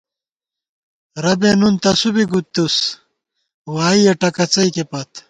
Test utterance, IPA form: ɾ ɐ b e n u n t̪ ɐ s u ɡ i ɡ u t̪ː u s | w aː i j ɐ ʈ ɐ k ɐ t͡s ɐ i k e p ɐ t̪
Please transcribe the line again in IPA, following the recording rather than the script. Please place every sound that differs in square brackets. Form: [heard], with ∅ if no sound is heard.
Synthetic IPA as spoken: ɾ ɐ b e n u n t̪ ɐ s u [b] i ɡ u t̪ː u s | w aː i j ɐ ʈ ɐ k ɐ t͡s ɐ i k e p ɐ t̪